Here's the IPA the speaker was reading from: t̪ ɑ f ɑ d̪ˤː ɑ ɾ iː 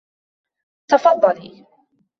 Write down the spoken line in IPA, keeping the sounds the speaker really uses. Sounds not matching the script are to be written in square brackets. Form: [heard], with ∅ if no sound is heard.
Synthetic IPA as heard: t̪ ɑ f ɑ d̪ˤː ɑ [l] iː